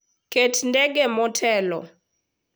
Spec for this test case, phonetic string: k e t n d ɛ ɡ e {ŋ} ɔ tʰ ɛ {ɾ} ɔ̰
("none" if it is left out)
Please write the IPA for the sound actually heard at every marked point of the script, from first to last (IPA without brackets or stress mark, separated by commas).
m, l